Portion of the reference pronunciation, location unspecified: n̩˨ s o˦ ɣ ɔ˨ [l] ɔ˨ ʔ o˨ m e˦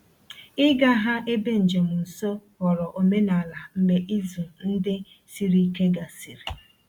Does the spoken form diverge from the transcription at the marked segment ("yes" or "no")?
yes